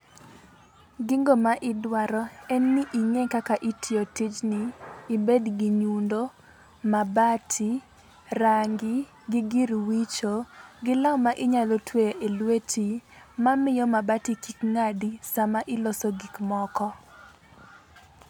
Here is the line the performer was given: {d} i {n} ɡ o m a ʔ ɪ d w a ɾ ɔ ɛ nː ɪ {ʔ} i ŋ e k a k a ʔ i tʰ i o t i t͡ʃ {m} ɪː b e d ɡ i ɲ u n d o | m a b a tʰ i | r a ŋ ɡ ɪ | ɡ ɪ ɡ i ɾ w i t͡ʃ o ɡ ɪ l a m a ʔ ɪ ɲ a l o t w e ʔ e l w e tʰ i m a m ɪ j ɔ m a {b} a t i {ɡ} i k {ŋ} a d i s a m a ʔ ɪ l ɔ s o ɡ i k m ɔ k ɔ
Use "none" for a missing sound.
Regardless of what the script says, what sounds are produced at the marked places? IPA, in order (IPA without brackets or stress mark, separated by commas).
ɡ, ŋ, ʔ, n, b, k, ŋ